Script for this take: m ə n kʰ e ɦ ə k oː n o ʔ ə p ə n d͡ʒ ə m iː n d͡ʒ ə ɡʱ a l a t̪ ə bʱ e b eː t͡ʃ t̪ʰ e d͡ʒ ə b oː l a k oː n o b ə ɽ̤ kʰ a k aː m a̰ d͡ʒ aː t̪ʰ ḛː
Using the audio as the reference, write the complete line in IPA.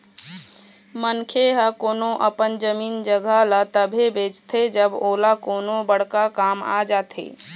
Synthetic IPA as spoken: m ə n kʰ e ɦ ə k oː n o ʔ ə p ə n d͡ʒ ə m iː n d͡ʒ ə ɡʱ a l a t̪ ə bʱ e b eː t͡ʃ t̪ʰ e d͡ʒ ə b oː l a k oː n o b ə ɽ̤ k a k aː m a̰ d͡ʒ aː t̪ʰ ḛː